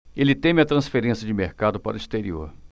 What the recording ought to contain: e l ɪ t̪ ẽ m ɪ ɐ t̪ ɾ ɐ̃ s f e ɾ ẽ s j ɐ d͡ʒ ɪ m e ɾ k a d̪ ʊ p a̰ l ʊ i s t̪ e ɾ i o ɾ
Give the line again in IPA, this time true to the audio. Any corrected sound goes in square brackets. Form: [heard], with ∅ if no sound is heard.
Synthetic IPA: e l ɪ t̪ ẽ m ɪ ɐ t̪ ɾ ɐ̃ s f e ɾ ẽ s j ɐ d͡ʒ ɪ m e ɾ k a d̪ ʊ p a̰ [ɾ] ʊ i s t̪ e ɾ i o ɾ